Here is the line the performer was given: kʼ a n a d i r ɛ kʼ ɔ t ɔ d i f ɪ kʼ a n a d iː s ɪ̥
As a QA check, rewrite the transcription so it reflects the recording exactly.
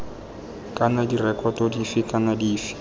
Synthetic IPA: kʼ a n a d i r ɛ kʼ ɔ t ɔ d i f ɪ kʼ a n a d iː f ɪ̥

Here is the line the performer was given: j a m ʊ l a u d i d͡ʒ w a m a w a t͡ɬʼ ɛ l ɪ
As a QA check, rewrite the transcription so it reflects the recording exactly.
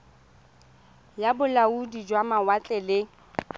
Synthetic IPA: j a b ʊ l a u d i d͡ʒ w a m a w a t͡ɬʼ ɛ l ɪ

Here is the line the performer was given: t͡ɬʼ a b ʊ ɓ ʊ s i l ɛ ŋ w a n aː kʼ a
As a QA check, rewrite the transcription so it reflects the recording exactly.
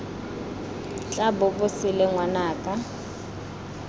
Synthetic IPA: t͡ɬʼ a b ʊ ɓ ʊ s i l ɛ ŋ w a n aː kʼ a

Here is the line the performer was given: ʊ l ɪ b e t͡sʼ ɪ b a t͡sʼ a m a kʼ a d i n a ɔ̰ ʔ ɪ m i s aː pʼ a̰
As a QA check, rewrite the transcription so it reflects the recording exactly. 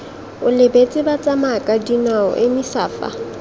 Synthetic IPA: ʊ l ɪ b e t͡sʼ ɪ b a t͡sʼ a m a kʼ a d i n a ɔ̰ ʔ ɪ m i s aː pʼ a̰

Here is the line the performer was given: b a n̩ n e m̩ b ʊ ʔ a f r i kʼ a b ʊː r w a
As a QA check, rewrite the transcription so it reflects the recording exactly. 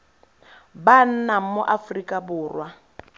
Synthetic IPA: b a n̩ n a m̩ m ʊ ʔ a f r i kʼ a b ʊː r w a

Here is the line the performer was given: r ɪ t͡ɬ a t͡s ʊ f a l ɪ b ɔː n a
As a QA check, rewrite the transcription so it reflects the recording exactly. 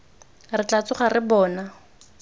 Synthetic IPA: r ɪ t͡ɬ a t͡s ʊ χ a r ɪ b ɔː n a

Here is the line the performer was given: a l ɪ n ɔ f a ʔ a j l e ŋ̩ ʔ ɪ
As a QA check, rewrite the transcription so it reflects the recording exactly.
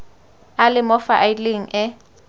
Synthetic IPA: a l ɪ m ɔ f a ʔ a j l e ŋ̩ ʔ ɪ

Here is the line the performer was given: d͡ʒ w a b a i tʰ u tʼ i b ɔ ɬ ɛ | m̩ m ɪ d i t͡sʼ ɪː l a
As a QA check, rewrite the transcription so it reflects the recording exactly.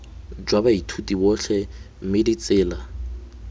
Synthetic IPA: d͡ʒ w a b a i tʰ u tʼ i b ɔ ɬ ɛ | m̩ m ɪ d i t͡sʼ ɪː l a

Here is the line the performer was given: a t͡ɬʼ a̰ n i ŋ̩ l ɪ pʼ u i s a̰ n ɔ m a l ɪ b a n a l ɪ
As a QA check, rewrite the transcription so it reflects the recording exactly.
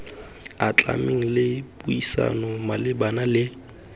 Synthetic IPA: a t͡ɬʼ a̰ m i ŋ̩ l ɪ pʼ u i s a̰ n ɔ m a l ɪ b a n a l ɪ

